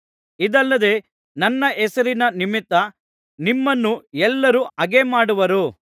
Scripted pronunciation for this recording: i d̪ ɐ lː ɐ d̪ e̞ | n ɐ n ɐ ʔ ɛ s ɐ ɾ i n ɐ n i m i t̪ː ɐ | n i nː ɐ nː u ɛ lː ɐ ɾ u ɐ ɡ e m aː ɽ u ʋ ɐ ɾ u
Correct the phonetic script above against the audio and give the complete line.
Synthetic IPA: i d̪ ɐ lː ɐ d̪ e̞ | n ɐ nː ɐ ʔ ɛ s ɐ ɾ i n ɐ n i m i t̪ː ɐ | n i mː ɐ nː u ɛ lː ɐ ɾ u ɐ ɡ e m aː ɽ u ʋ ɐ ɾ u